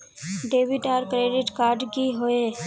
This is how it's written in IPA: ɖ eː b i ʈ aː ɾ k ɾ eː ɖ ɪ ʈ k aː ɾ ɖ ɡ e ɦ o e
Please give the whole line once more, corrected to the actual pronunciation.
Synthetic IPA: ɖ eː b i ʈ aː ɾ k ɾ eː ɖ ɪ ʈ k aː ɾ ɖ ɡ i ɦ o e